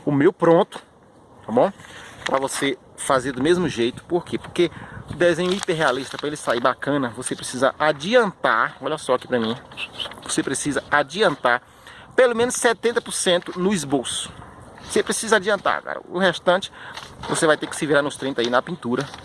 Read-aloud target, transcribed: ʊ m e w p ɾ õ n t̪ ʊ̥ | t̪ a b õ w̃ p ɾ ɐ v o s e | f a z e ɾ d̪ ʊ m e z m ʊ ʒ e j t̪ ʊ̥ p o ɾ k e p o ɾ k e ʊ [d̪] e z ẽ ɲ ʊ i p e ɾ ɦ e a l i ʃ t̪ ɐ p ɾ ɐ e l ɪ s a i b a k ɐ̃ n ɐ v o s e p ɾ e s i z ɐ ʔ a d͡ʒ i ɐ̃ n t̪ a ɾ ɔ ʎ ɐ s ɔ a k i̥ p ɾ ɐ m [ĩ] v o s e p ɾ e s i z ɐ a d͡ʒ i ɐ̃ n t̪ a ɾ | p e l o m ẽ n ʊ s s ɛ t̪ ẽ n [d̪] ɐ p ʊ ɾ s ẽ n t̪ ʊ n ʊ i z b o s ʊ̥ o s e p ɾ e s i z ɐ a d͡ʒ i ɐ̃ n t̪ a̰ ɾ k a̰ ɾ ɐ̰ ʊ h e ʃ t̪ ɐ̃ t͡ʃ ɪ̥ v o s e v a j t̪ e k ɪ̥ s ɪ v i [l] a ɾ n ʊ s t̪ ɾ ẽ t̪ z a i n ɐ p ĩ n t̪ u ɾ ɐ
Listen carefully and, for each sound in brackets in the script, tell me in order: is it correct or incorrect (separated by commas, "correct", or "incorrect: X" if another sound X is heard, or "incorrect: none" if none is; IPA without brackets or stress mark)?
correct, correct, incorrect: t̪, incorrect: ɾ